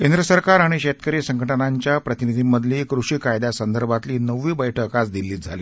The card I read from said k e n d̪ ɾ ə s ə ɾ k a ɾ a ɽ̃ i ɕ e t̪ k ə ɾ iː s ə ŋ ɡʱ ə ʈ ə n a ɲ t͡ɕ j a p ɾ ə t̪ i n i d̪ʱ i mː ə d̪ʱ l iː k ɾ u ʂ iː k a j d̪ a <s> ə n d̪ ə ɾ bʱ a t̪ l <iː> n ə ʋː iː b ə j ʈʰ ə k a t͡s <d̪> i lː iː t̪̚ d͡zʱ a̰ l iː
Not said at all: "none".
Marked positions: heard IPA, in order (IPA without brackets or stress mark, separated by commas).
s, iː, d̪